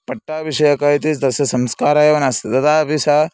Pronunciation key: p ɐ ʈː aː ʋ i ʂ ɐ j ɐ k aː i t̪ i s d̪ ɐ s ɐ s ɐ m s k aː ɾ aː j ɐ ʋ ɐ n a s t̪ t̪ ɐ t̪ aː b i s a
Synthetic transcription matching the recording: p ɐ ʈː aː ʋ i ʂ ɐ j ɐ k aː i t̪ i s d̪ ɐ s ɐ s ɐ m s k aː ɾ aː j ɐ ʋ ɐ n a s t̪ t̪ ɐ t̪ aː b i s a